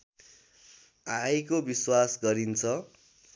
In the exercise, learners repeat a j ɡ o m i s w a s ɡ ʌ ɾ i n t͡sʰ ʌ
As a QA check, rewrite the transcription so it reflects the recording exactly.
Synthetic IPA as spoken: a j k o b i s w a s ɡ ʌ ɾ i n t͡sʰ ʌ